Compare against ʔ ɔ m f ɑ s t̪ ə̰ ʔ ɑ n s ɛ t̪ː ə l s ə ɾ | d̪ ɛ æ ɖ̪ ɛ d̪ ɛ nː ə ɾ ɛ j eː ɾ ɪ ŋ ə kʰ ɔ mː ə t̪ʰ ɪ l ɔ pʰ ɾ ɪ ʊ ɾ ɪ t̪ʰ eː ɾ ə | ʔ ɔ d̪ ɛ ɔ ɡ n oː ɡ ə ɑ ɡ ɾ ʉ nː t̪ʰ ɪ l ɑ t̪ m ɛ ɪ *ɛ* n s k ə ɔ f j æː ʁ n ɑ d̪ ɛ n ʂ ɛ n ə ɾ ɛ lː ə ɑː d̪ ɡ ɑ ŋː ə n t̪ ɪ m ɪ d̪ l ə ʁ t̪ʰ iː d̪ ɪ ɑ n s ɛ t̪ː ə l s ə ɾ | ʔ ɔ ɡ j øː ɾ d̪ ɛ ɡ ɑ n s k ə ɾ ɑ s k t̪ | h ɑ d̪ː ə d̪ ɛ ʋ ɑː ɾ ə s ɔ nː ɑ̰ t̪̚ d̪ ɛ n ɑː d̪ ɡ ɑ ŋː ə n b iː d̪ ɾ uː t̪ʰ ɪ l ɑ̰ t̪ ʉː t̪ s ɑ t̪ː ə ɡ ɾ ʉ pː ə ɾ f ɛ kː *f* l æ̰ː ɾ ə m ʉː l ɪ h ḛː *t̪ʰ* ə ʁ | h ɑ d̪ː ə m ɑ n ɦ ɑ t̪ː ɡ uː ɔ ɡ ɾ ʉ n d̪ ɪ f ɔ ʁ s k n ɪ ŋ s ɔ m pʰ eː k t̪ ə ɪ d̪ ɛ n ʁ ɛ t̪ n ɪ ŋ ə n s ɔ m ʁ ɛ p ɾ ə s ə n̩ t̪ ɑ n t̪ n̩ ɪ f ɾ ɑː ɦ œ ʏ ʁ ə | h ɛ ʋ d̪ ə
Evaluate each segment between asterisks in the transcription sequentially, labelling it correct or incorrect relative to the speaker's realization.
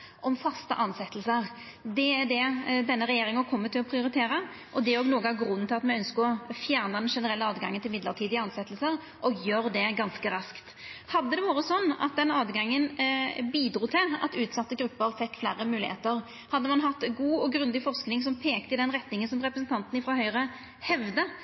incorrect: œ, correct, incorrect: t̪

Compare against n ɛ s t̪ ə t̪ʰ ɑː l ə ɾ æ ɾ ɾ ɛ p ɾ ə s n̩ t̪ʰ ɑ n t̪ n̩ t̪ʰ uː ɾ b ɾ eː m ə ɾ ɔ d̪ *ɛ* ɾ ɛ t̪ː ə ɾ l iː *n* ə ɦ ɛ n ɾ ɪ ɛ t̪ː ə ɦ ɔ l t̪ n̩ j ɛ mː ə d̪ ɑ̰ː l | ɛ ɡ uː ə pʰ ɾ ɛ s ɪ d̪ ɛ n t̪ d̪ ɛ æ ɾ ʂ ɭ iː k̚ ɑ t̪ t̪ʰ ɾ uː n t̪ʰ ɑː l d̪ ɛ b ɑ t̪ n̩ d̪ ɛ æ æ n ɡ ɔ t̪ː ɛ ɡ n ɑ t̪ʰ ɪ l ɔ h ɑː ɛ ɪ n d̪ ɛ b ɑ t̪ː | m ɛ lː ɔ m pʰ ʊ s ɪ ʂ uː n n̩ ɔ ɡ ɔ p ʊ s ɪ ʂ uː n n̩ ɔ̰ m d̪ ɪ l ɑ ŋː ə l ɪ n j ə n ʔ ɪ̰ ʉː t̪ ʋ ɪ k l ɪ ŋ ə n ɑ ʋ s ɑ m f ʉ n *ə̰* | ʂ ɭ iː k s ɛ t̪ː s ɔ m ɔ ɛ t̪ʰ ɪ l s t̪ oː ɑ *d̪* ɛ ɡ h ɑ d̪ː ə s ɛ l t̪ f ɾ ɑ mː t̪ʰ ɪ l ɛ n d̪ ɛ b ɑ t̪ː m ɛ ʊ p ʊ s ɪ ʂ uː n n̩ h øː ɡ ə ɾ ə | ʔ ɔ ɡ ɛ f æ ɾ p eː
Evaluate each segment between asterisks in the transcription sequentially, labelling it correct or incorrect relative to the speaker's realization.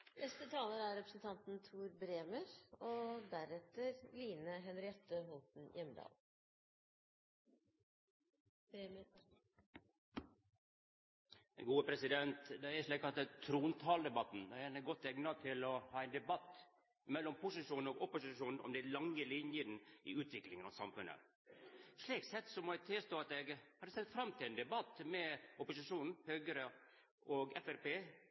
incorrect: æ, correct, correct, incorrect: t̪

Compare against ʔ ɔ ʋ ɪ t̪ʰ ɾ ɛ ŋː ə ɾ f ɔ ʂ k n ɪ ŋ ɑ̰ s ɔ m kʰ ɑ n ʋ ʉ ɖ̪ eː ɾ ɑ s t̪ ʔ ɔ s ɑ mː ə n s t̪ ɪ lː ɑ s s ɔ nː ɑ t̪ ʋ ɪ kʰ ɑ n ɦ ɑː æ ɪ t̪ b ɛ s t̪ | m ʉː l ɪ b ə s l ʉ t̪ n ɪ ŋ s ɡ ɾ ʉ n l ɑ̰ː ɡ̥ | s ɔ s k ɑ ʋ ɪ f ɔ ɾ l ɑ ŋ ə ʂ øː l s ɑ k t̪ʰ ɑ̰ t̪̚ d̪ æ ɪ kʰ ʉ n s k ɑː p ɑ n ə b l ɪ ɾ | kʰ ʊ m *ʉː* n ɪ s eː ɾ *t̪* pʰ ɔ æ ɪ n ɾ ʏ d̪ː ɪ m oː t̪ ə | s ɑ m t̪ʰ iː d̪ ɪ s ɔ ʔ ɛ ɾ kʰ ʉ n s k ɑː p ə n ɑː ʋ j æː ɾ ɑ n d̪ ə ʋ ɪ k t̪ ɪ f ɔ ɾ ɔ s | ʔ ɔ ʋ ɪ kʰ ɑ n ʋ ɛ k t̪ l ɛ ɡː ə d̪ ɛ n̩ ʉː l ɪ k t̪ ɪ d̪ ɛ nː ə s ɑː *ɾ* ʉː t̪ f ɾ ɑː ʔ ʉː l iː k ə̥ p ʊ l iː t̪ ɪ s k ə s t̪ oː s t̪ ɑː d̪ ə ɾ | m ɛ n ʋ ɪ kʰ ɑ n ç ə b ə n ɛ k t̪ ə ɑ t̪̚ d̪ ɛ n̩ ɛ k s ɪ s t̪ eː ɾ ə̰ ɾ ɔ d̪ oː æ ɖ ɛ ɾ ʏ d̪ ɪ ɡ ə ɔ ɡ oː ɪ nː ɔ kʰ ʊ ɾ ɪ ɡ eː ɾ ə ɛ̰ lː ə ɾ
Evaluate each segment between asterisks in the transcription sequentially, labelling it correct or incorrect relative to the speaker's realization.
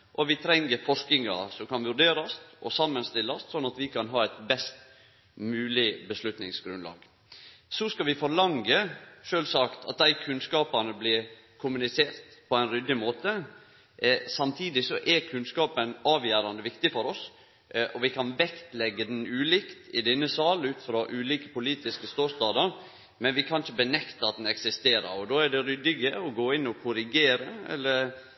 incorrect: ʉ, correct, incorrect: l

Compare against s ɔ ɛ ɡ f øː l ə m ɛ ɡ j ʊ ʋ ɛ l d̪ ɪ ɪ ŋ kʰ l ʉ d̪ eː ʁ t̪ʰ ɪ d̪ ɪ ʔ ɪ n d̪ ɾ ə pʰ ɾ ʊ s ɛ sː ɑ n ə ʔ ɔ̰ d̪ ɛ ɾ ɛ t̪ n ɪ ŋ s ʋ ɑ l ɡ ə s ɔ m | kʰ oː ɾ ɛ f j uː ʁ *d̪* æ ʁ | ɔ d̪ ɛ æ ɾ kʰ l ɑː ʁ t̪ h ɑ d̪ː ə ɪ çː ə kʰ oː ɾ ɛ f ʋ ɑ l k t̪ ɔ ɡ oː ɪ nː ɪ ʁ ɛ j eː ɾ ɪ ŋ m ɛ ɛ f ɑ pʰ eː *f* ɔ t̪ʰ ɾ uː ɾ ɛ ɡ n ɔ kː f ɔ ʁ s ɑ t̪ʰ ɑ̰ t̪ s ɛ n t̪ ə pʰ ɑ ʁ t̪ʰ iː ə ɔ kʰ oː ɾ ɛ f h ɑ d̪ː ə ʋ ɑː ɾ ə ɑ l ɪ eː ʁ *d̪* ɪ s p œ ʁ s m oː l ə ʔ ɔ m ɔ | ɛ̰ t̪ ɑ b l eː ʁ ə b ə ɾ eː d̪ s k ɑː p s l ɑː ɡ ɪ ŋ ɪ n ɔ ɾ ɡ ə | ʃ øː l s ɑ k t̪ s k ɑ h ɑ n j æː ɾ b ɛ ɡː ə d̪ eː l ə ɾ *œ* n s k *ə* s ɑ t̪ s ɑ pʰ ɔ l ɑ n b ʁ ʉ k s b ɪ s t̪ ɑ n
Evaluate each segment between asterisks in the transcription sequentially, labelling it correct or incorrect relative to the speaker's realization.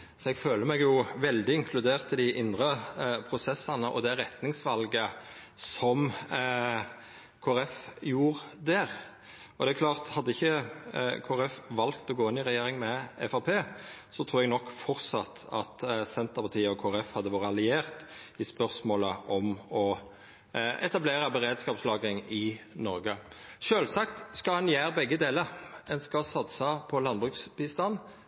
correct, incorrect: s, incorrect: t̪, incorrect: ɛ, incorrect: ɑ

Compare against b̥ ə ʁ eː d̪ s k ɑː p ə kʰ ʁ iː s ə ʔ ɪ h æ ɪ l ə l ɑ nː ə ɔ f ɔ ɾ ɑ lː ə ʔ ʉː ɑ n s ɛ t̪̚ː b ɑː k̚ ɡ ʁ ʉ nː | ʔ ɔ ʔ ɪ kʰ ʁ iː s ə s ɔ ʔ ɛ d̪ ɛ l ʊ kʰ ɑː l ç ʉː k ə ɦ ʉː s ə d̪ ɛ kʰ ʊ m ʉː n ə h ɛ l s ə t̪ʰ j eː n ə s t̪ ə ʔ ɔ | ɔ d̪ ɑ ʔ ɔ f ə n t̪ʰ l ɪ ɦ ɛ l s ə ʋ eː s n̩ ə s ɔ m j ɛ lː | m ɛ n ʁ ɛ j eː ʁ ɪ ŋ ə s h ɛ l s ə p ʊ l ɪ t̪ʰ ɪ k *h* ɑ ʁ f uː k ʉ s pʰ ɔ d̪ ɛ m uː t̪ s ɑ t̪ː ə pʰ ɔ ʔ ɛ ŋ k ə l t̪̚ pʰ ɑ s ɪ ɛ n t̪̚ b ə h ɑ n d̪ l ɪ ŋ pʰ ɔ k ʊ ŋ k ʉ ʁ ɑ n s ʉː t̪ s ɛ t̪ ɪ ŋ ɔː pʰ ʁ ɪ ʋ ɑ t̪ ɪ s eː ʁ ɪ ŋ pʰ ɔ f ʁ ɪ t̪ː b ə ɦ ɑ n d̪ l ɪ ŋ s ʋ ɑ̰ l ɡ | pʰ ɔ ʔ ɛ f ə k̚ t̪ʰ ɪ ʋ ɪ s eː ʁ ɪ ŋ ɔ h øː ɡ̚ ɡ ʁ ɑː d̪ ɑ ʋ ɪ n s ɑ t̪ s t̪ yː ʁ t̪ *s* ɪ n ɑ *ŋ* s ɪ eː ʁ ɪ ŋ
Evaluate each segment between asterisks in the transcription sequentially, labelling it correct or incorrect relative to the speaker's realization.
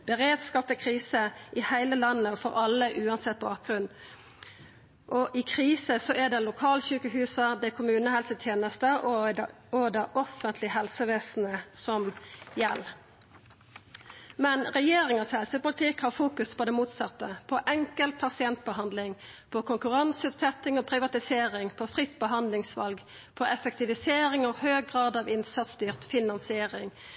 correct, incorrect: f, incorrect: n

